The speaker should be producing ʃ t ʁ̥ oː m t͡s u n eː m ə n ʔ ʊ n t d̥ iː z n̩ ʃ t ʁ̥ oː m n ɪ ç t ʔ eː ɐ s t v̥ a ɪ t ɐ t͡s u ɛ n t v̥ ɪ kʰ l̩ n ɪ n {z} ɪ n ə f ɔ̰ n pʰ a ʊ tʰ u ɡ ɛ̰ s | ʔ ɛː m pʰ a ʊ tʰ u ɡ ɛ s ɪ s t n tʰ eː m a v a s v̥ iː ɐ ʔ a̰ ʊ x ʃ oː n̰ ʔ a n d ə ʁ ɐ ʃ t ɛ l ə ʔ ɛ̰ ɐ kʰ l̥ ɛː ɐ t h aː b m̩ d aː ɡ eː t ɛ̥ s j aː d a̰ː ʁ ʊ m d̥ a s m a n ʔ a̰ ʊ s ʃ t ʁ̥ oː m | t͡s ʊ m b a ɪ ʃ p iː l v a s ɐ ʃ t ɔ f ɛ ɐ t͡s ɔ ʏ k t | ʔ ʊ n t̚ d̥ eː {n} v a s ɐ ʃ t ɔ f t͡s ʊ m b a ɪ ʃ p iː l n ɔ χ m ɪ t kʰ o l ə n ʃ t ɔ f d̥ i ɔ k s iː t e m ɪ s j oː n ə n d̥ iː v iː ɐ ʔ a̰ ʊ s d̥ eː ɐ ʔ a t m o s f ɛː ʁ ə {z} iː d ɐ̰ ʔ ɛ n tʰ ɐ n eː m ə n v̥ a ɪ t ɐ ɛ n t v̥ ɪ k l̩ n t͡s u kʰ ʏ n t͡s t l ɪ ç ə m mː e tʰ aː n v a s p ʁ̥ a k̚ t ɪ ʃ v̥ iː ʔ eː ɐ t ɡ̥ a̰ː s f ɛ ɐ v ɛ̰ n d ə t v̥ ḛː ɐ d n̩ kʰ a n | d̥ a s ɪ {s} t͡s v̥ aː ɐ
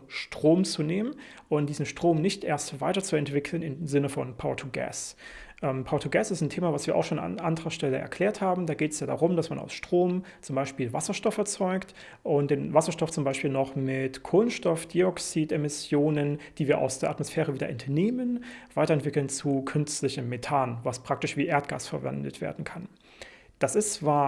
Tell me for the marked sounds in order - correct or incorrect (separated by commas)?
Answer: correct, correct, incorrect, correct